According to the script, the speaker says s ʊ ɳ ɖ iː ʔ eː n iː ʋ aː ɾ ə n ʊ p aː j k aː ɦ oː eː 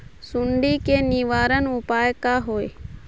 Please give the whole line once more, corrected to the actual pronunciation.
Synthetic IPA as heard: s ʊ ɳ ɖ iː k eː n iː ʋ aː ɾ ə n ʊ p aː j k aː ɦ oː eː

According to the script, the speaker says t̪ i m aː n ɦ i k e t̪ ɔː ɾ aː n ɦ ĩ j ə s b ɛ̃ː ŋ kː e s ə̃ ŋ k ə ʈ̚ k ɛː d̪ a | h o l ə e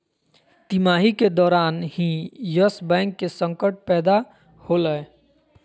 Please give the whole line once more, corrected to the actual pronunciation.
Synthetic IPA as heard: t̪ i m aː ɦ i k e d̪ ɔː ɾ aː n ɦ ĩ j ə s b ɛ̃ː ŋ kː e s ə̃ ŋ k ə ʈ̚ p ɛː d̪ a | h o l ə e

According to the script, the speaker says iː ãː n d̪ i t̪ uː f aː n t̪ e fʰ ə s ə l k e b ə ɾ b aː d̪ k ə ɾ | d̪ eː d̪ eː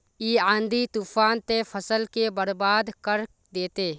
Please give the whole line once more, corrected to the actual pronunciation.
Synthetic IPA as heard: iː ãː n d̪ i t̪ uː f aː n t̪ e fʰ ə s ə l k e b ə ɾ b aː d̪ k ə ɾ | d̪ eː t̪ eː

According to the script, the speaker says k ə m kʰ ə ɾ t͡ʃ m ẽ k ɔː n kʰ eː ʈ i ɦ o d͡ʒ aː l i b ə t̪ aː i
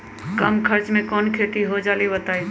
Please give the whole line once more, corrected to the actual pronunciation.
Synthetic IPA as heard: k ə m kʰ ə ɾ t͡ʃ m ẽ k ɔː n kʰ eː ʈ i ɦ o d͡ʒ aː l i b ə t̪ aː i

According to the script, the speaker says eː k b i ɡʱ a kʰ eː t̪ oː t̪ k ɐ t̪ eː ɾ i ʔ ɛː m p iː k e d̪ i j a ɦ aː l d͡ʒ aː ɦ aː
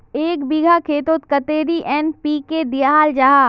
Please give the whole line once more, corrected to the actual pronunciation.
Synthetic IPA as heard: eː k b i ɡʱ a kʰ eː t̪ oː t̪ k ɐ t̪ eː ɾ i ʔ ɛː n p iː k e d̪ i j a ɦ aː l d͡ʒ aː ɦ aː

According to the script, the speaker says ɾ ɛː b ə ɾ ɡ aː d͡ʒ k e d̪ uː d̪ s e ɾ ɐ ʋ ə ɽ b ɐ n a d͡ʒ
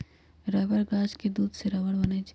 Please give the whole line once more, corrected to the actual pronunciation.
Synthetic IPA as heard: ɾ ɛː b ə ɾ ɡ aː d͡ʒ k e d̪ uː d̪ s e ɾ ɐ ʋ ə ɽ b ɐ n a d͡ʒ

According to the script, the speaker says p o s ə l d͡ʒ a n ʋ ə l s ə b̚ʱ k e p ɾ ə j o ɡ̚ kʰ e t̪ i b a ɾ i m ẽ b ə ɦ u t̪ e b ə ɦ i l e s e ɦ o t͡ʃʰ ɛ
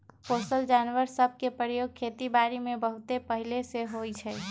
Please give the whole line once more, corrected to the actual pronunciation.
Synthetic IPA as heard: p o s ə l d͡ʒ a n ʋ ə ɾ s ə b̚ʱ k e p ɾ ə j o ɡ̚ kʰ e t̪ i b a ɾ i m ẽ b ə ɦ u t̪ e p ə ɦ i l e s e ɦ o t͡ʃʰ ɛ

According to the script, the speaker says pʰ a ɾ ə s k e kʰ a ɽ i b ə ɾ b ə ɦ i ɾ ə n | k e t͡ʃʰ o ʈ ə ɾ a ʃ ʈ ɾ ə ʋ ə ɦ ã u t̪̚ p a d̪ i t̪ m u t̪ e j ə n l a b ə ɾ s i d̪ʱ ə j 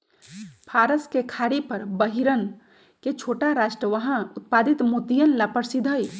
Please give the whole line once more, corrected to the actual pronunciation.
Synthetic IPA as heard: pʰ a ɾ ə s k e kʰ a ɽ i p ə ɾ b ə ɦ i ɾ ə n | k e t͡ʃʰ o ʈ a ɾ a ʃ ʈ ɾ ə ʋ ə ɦ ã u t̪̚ p a d̪ i t̪ m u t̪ i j ə n l a p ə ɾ s i d̪ʱ ə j

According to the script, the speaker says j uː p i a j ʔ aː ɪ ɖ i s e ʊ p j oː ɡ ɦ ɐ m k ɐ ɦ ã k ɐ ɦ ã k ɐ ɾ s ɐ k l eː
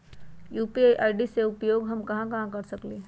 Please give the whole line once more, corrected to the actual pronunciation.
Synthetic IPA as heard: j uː p i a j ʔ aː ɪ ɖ i s e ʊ p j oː ɡ ɦ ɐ m k ɐ ɦ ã k ɐ ɦ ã k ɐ ɾ s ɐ k l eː

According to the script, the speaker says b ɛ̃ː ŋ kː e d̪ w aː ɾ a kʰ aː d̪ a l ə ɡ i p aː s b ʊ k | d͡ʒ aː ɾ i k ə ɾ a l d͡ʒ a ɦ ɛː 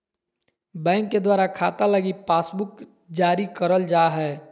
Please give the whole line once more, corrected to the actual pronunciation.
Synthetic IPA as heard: b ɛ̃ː ŋ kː e d̪ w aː ɾ a kʰ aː t̪ a l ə ɡ i p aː s b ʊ k | d͡ʒ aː ɾ i k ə ɾ ə l d͡ʒ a ɦ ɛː

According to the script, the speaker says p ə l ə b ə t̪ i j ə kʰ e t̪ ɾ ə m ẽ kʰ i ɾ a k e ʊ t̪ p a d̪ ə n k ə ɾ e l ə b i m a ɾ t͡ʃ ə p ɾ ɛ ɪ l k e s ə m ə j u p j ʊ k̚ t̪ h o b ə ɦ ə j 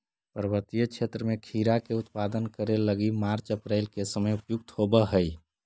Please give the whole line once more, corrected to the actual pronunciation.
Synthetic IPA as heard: p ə ɾ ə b ə t̪ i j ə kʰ e t̪ ɾ ə m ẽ kʰ i ɾ a k e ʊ t̪ p a d̪ ə n k ə ɾ e l ə ɡ i m a ɾ t͡ʃ ə p ɾ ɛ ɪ l k e s ə m ə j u p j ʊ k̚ t̪ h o b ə ɦ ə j

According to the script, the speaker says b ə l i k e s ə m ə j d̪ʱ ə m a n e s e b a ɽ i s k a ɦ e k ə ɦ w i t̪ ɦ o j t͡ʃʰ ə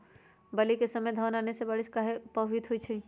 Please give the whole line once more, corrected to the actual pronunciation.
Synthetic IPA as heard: b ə l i k e s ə m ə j d̪ʱ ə n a n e s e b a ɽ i s k a ɦ e p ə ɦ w i t̪ ɦ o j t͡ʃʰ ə

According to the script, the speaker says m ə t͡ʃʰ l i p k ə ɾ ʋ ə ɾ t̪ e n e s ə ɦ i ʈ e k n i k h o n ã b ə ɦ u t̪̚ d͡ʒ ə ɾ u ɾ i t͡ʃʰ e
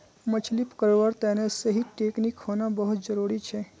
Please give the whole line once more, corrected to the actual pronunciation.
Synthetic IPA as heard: m ə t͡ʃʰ l i p k ə ɾ ʋ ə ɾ t̪ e n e s ə ɦ i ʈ e k n i k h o n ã b ə ɦ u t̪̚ d͡ʒ ə ɾ u ɾ i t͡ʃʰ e

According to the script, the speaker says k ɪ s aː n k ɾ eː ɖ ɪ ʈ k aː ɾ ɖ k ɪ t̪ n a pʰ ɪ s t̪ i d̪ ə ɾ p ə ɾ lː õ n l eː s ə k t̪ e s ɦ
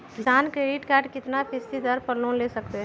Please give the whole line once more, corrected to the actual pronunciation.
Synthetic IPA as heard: k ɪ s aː n k ɾ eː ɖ ɪ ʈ k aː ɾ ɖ k ɪ t̪ n a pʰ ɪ s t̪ i d̪ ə ɾ p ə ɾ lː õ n l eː s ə k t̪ e ɦ

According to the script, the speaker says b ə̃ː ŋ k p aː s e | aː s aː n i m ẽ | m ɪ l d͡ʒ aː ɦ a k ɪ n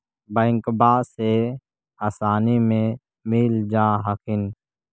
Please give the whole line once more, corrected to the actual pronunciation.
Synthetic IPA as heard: b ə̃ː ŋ k b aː s e | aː s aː n i m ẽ | m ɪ l d͡ʒ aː ɦ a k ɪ n

